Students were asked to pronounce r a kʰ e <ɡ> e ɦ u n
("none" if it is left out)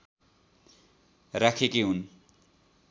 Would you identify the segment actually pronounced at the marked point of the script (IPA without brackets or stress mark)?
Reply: k